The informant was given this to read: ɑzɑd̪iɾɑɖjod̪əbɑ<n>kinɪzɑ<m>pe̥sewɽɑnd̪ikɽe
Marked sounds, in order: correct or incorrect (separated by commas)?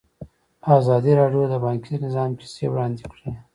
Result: incorrect, correct